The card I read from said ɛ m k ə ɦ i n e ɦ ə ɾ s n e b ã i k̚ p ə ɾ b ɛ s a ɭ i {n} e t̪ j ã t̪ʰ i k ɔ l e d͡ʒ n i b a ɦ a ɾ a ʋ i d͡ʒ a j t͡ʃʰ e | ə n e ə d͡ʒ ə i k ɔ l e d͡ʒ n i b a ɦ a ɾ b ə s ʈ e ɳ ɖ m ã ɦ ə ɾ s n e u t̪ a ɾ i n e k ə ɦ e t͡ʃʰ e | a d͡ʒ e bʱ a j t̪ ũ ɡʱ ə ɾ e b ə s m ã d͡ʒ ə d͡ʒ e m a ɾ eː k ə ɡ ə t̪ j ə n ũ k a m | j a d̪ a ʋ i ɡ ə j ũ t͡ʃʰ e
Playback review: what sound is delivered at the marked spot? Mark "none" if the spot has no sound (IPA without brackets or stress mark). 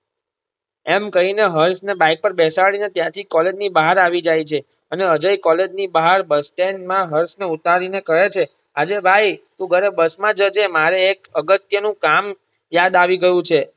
n